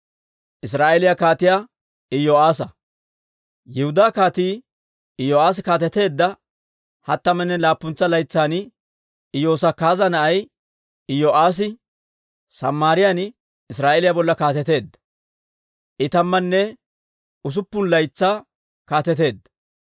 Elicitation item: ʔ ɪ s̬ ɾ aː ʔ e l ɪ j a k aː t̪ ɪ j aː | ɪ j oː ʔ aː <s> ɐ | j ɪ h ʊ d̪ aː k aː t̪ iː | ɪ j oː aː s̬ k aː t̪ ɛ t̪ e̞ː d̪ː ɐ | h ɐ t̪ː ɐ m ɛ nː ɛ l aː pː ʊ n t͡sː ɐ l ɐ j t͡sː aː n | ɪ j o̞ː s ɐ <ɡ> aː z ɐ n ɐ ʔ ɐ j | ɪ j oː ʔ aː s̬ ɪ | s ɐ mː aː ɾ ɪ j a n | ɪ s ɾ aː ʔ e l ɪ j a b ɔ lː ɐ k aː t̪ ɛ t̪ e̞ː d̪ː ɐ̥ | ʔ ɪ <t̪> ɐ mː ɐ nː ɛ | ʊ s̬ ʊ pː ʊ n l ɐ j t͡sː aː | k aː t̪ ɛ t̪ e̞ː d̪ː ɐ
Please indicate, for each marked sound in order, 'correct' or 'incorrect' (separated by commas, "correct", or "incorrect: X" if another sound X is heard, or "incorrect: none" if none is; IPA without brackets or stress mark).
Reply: correct, incorrect: k, correct